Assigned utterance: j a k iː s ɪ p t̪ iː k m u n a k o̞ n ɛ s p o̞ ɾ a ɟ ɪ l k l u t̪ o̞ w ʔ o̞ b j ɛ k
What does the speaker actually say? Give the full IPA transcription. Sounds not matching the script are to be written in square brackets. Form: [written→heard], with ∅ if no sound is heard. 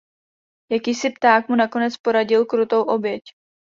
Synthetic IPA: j a k iː s ɪ p t̪ [iː→aː] k m u n a k o̞ n ɛ [s→t͡s] p o̞ ɾ a ɟ ɪ l k [l→ɾ] u t̪ o̞ w ʔ o̞ b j ɛ [k→c]